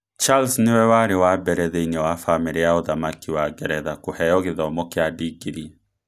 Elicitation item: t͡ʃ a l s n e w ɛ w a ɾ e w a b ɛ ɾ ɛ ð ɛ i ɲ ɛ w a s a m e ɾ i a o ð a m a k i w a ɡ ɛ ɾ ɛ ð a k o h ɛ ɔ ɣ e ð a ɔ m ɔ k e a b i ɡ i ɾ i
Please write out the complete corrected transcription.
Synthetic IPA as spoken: t͡ʃ a l s n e w ɛ w a ɾ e w a b ɛ ɾ ɛ ð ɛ i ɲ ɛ w a f a m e ɾ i a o ð a m a k i w a ɡ ɛ ɾ ɛ ð a k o h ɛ ɔ ɣ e ð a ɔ m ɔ k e a d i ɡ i ɾ i